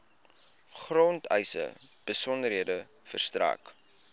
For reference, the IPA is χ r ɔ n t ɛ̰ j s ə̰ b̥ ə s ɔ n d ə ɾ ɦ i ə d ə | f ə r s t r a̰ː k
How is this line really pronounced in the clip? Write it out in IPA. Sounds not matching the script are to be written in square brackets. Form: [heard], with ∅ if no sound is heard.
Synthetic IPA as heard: χ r ɔ n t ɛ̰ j s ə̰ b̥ ə s ɔ n d ə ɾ ɦ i ə d ə | f ə r s t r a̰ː k